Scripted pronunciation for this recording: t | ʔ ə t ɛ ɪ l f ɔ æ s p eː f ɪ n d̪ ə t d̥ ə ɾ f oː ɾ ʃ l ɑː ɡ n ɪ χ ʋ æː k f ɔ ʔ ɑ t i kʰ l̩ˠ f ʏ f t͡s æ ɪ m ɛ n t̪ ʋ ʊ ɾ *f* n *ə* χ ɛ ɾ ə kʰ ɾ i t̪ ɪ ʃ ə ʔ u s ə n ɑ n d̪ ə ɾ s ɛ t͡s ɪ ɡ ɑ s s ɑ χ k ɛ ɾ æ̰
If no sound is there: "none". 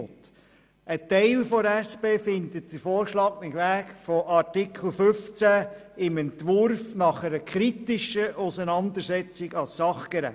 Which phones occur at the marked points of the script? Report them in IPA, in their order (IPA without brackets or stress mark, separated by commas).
f, ɑ